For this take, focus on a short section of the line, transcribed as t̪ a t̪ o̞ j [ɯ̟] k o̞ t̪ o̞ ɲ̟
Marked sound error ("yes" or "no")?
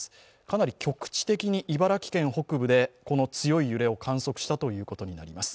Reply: yes